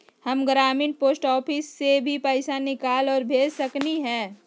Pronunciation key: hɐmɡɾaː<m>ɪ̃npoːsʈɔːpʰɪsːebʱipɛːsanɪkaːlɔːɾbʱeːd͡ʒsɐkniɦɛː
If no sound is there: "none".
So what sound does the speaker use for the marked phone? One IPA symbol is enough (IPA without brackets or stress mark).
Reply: m